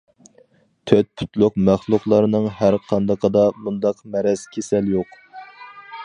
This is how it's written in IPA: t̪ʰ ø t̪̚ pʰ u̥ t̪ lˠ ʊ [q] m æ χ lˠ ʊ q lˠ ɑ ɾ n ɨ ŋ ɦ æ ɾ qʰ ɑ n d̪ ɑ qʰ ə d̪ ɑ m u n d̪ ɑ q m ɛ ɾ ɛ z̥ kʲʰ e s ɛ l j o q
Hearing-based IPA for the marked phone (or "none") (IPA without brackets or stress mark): q